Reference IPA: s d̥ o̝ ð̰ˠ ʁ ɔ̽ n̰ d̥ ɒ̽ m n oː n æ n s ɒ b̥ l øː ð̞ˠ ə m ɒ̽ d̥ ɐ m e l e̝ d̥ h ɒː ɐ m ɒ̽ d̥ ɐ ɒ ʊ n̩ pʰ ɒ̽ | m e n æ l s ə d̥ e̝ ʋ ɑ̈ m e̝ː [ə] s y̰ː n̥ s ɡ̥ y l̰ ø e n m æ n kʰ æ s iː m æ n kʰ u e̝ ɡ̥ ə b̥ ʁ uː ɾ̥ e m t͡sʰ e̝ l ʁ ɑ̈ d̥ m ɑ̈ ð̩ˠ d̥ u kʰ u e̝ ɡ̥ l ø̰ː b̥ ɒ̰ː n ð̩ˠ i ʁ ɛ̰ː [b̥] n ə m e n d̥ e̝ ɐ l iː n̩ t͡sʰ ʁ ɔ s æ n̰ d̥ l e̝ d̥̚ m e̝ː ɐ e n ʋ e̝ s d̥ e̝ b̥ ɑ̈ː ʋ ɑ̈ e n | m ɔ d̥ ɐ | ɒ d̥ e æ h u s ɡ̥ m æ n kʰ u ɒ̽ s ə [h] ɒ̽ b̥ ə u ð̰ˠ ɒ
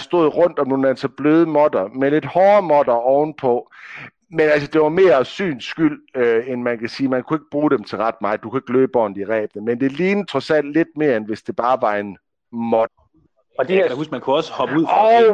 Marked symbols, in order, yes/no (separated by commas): no, yes, yes